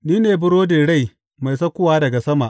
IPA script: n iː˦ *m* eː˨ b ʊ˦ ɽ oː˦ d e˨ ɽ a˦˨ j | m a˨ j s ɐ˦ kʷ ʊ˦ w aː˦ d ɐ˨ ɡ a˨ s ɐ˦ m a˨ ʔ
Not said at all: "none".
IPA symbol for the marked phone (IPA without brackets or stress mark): n